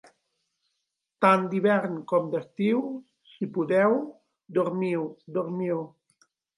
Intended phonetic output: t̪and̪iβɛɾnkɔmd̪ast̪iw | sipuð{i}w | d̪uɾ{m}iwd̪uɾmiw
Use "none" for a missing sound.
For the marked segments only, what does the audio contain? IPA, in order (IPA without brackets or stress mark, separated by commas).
ɛ, m